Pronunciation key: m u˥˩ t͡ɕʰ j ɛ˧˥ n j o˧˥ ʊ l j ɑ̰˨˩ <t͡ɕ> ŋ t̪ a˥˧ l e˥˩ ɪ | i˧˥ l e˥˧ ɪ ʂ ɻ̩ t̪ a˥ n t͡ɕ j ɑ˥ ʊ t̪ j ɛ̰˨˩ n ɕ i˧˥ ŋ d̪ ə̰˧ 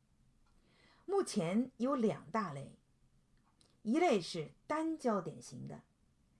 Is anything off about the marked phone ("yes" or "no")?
yes